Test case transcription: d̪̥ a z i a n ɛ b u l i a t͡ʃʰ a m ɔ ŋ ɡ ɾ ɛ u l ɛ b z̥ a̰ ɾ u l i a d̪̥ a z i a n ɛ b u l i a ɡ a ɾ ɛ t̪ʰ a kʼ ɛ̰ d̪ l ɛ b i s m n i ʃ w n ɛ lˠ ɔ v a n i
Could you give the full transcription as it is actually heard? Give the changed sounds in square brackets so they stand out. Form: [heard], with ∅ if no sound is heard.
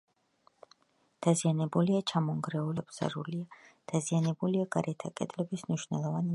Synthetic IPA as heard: d̪̥ a z i a n ɛ b u l i a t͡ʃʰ a m ɔ ŋ ɡ ɾ ɛ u l ɛ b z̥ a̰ ɾ u l i a d̪̥ a z i a n ɛ b u l i a ɡ a ɾ ɛ t̪ʰ a kʼ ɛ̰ d̪ l ɛ b i s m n i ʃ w n ɛ lˠ ɔ v a n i